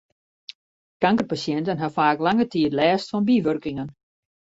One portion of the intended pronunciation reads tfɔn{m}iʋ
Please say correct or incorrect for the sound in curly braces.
incorrect